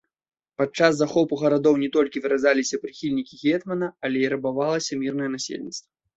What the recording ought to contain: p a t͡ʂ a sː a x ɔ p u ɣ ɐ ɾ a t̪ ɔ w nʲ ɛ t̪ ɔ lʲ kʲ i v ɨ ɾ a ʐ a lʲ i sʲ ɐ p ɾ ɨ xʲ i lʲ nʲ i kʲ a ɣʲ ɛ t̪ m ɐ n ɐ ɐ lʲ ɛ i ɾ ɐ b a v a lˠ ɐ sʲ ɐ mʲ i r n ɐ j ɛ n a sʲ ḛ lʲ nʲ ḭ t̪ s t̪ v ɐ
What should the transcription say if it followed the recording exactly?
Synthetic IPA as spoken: p a t͡ʂ a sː a x ɔ p u ɣ ɐ ɾ a d̪ ɔ w nʲ ɛ t̪ ɔ lʲ kʲ i v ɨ ɾ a z a lʲ i sʲ ɐ p ɾ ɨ xʲ i lʲ nʲ i kʲ i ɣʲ ɛ t̪ m ɐ n ɐ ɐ lʲ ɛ i ɾ ɐ b a v a lˠ ɐ sʲ ɐ mʲ i r n ɐ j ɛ n a sʲ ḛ lʲ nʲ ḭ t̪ s t̪ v ɐ